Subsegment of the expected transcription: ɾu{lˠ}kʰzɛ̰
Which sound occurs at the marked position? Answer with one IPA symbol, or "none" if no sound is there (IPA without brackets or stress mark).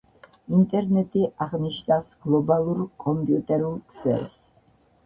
lˠ